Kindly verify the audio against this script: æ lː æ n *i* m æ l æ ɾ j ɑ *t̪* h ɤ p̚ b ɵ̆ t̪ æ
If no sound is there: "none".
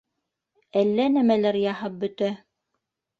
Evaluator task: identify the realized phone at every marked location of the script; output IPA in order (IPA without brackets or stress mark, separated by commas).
æ, none